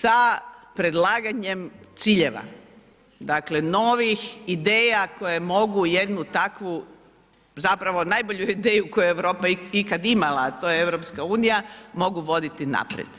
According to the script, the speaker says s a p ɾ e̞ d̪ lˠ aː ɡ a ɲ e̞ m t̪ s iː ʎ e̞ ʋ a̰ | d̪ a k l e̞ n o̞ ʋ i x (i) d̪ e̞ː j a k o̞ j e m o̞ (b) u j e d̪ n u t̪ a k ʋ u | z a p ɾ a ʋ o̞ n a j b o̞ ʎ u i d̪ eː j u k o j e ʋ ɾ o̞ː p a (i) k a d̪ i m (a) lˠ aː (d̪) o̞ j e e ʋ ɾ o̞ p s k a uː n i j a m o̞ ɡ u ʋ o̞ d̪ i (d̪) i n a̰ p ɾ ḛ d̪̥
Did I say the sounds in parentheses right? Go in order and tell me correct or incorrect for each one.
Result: correct, incorrect: ɡ, correct, correct, incorrect: t̪, incorrect: t̪

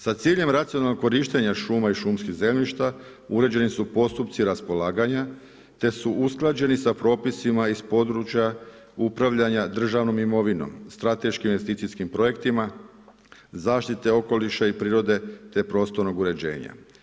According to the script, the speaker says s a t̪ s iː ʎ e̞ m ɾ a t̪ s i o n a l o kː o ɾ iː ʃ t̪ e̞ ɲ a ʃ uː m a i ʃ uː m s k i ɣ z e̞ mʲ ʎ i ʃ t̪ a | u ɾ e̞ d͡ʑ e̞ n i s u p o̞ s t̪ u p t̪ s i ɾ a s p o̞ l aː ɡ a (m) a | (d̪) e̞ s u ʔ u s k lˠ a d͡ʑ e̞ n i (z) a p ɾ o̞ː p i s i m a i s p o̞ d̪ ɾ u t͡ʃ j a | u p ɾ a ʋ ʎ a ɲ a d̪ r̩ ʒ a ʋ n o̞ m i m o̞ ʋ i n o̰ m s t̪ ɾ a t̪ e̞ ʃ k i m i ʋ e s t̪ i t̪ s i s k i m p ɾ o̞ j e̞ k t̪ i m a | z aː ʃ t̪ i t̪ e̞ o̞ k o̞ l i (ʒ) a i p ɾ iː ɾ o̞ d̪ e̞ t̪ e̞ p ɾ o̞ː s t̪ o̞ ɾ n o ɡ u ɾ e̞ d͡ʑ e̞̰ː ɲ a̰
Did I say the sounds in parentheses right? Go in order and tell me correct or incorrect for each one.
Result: incorrect: ɲ, incorrect: t̪, incorrect: s, incorrect: ʃ

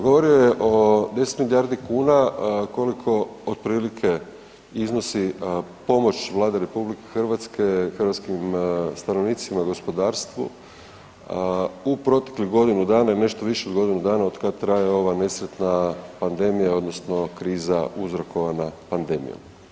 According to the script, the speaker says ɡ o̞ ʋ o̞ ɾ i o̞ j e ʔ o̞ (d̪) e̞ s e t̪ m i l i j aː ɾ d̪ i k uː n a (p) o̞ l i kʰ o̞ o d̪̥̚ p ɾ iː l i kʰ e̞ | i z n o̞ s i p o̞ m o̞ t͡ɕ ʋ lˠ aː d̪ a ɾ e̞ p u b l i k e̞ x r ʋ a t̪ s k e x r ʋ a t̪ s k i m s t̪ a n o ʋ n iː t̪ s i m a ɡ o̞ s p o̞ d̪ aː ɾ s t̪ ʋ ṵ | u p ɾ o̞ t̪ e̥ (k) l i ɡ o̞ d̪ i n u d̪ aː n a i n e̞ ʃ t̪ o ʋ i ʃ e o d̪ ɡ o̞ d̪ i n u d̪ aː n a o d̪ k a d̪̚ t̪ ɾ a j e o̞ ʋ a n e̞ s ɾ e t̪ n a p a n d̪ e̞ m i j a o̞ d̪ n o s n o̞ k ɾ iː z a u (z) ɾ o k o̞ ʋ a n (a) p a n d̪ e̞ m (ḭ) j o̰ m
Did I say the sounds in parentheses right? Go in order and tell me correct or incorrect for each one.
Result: correct, incorrect: k, correct, correct, correct, correct

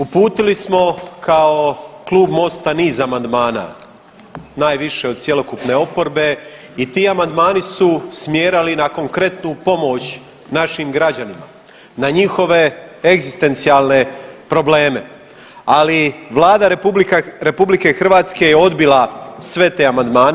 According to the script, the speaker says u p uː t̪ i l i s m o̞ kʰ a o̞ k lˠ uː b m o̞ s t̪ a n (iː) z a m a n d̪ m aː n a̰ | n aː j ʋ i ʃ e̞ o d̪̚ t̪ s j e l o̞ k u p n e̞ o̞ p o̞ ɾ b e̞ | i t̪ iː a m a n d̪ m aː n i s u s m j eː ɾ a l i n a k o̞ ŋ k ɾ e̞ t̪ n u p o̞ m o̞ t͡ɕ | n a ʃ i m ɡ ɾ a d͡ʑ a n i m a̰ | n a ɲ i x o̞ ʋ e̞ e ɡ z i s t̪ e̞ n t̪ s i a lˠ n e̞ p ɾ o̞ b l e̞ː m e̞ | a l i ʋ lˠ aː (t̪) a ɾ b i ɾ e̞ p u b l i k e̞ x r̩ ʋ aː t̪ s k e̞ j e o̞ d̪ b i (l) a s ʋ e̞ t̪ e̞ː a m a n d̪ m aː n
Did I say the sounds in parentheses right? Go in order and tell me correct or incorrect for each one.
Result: correct, incorrect: d̪, correct

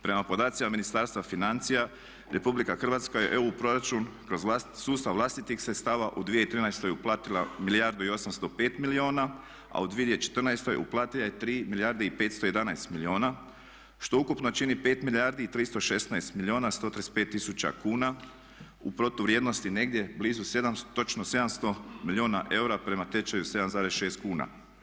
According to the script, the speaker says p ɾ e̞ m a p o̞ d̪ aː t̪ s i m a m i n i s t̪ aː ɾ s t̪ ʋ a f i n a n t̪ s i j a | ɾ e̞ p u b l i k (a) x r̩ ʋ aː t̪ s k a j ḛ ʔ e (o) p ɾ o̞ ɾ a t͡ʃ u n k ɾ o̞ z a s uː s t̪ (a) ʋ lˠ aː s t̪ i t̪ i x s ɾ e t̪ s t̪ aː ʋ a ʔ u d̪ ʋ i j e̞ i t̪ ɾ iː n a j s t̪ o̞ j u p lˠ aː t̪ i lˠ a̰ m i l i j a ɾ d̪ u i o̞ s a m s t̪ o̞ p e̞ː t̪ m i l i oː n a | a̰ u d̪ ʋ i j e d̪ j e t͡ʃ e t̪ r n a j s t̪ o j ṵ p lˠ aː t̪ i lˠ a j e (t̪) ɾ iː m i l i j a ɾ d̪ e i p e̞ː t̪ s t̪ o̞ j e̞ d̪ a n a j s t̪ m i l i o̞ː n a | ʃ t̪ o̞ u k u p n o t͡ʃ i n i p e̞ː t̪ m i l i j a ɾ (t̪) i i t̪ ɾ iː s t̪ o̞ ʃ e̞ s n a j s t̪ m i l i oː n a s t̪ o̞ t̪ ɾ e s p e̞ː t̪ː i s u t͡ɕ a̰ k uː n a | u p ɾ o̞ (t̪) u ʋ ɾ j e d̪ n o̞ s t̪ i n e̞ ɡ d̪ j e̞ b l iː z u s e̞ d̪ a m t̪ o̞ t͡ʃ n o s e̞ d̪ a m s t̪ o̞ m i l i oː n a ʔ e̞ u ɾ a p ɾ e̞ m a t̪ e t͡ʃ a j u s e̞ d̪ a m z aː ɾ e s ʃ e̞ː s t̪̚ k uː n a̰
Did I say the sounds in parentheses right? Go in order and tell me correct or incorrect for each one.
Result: correct, incorrect: u, correct, correct, incorrect: d̪, correct

